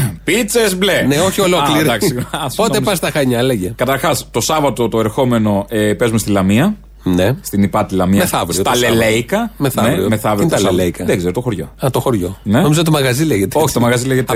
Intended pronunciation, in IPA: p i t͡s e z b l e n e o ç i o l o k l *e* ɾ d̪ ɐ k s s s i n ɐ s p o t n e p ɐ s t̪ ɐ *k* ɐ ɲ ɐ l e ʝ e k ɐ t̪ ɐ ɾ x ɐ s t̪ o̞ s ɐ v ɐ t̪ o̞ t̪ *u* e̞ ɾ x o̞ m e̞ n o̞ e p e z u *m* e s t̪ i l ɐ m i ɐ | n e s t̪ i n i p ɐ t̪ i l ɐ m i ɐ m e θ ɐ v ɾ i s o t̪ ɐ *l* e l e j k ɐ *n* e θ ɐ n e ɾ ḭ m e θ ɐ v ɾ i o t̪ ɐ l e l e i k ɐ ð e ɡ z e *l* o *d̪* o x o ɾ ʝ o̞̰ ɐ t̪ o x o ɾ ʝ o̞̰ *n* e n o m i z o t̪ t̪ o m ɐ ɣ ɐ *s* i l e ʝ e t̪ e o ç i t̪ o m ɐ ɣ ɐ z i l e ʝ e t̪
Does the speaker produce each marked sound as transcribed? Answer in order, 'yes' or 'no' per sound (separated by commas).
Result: no, no, no, yes, yes, no, no, no, yes, no